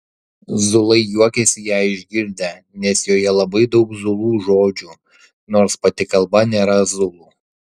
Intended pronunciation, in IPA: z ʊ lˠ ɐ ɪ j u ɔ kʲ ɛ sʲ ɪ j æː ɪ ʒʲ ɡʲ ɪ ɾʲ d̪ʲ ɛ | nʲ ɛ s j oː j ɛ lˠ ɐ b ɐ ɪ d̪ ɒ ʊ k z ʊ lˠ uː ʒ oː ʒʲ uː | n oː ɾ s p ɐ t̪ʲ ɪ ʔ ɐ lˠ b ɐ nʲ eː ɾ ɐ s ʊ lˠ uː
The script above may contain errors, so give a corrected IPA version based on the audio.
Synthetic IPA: z ʊ lˠ ɐ ɪ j u ɔ kʲ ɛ sʲ ɪ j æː ɪ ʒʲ ɡʲ ɪ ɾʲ d̪ʲ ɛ | nʲ ɛ s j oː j ɛ lˠ ɐ b ɐ ɪ d̪ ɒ ʊ k z ʊ lˠ uː ʒ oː d͡ʒʲ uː | n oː ɾ s p ɐ t̪ʲ ɪ k ɐ lˠ b ɐ nʲ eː ɾ ɐ z ʊ lˠ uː